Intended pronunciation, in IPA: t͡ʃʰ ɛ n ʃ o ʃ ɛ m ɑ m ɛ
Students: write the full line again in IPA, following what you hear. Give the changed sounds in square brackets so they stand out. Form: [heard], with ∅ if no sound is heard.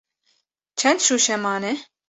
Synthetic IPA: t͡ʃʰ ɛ n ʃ [u] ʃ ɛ m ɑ [n] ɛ